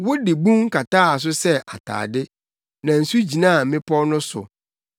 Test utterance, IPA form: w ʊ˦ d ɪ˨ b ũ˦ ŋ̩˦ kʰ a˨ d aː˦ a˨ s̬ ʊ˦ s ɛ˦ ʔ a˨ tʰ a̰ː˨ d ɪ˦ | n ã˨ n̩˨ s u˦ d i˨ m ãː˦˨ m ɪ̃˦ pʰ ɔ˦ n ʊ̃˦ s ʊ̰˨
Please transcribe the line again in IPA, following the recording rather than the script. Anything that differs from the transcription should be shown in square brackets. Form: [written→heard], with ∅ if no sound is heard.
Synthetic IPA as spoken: w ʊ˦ d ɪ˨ b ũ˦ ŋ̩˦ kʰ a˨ [d→t] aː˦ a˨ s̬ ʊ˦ s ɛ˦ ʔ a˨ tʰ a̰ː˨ d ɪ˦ | n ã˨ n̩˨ s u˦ [d→d͡ʑ] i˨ [m→n] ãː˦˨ m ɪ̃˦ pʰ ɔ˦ n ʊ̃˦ s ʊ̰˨